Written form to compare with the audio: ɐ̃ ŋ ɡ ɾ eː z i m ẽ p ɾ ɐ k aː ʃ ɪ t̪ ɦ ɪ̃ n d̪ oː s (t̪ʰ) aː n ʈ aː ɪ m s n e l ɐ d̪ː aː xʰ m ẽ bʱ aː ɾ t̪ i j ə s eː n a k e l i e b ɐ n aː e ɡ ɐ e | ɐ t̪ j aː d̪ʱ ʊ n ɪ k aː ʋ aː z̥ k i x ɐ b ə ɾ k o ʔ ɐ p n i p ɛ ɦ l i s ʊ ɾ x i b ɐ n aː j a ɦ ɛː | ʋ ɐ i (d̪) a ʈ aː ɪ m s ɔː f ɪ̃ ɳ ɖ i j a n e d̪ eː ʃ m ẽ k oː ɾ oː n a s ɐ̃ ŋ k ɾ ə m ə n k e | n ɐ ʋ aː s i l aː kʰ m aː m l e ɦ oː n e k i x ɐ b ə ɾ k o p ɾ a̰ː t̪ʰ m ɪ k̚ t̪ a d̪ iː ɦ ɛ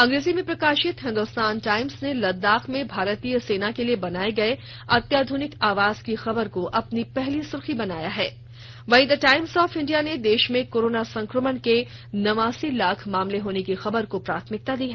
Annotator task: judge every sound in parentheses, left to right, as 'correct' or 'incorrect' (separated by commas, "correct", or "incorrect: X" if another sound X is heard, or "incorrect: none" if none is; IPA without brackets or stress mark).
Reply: incorrect: t̪, correct